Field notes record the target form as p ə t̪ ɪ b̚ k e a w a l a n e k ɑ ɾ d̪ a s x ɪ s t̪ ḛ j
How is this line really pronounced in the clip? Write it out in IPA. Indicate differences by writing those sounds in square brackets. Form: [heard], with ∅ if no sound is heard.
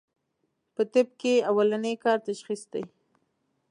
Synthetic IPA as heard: p ə t̪ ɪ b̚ k e a w a l a n e k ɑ ɾ [t̪] a [ʃ] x [i] s [d̪] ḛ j